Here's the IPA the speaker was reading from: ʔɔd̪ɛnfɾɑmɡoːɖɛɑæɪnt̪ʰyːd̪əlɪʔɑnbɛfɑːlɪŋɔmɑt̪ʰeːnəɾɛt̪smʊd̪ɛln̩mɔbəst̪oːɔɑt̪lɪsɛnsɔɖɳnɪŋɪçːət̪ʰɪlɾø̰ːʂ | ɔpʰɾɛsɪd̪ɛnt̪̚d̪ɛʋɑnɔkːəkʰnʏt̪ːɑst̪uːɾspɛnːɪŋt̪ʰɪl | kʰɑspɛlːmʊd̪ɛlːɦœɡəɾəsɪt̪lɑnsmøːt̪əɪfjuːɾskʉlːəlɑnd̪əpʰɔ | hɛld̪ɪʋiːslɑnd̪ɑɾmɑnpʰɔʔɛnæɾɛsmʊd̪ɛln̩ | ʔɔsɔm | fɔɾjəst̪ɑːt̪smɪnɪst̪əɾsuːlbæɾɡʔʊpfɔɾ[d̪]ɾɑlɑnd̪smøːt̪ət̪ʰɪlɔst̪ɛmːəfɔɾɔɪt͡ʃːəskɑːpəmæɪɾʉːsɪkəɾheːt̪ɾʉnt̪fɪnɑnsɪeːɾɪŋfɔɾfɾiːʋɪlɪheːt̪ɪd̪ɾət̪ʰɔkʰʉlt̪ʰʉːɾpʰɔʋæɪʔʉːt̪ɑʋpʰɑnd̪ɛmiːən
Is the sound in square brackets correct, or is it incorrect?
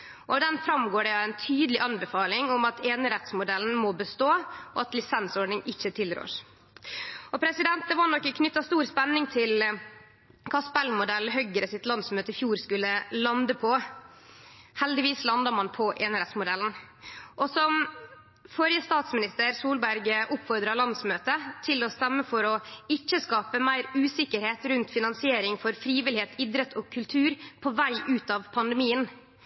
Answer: correct